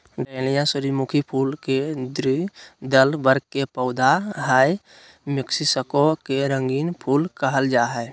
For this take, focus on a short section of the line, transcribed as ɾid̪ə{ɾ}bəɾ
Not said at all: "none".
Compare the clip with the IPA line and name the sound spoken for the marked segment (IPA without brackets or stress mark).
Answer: l